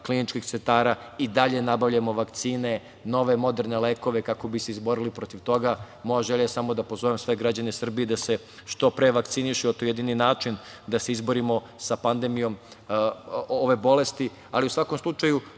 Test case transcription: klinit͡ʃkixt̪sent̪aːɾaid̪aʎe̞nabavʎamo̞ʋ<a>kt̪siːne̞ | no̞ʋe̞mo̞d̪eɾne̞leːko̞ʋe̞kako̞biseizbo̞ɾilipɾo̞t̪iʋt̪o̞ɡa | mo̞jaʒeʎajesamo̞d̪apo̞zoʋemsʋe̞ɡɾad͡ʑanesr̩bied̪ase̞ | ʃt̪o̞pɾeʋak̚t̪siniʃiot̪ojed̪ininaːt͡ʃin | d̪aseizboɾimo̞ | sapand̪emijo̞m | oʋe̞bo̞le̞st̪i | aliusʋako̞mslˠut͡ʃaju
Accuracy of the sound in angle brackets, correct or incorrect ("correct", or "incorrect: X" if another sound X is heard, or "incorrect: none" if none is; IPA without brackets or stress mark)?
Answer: correct